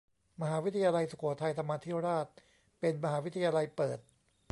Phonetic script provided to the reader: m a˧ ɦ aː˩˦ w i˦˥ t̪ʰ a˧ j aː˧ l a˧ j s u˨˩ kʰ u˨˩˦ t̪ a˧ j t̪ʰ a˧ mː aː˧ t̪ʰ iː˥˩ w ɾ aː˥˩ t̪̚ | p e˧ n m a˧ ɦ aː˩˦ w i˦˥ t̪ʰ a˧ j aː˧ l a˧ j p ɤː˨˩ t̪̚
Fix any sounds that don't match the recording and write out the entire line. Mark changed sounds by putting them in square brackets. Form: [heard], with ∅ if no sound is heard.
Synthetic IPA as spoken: m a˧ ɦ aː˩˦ w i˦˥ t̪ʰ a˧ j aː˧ l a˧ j s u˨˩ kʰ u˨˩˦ [t̪ʰ] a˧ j t̪ʰ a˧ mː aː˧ t̪ʰ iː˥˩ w ɾ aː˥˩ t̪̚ | p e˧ n m a˧ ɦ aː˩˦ w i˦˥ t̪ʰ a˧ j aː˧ l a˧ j p ɤː˨˩ t̪̚